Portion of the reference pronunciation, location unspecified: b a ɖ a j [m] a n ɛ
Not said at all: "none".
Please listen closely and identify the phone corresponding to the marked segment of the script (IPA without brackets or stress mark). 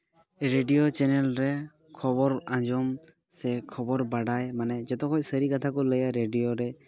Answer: m